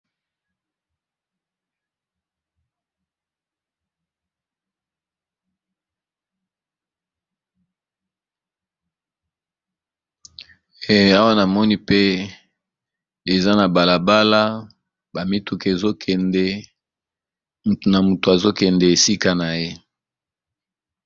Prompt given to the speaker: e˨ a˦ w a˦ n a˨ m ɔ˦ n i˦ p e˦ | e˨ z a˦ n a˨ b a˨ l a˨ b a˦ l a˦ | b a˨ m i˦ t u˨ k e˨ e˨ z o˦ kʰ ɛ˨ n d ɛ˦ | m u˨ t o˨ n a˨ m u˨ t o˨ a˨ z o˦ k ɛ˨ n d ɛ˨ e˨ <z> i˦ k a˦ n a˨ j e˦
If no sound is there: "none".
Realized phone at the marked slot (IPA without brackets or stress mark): s